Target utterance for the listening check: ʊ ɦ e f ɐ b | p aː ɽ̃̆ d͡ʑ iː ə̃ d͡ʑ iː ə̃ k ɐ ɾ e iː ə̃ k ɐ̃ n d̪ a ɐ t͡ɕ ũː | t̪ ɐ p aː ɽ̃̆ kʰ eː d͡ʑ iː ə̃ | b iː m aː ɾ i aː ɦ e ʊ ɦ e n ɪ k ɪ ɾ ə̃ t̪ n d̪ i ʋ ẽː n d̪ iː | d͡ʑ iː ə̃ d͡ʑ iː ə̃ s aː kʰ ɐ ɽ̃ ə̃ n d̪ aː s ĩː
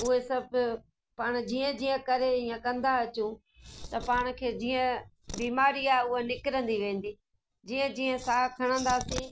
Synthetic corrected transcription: ʊ ɦ e s ɐ b | p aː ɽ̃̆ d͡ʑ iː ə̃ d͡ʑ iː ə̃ k ɐ ɾ e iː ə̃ k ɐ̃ n d̪ a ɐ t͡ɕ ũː | t̪ ɐ p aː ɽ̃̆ kʰ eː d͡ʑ iː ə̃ | b iː m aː ɾ i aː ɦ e ʊ ɦ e n ɪ k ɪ ɾ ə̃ n d̪ i ʋ ẽː n d̪ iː | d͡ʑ iː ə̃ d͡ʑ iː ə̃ s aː kʰ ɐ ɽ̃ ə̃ n d̪ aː s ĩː